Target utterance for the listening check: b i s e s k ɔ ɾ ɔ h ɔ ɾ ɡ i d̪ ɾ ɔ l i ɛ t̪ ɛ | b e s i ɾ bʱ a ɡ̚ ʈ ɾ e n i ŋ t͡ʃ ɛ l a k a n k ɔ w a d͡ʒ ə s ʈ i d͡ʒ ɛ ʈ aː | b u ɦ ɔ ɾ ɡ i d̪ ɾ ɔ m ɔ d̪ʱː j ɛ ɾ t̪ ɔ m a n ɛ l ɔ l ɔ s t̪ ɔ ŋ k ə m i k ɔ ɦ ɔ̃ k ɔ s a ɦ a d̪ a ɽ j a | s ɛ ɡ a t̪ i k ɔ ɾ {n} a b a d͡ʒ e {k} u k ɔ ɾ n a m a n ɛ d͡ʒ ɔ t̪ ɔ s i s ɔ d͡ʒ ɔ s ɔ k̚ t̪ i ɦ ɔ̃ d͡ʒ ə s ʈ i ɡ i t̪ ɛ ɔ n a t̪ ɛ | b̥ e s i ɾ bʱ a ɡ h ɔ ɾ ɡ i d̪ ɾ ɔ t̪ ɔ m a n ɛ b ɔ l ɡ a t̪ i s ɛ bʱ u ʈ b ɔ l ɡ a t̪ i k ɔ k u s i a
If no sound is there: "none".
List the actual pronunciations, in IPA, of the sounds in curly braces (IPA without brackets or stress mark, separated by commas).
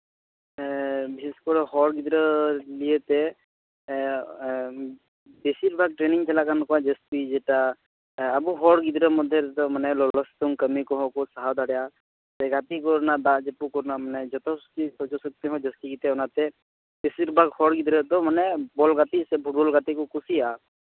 n, p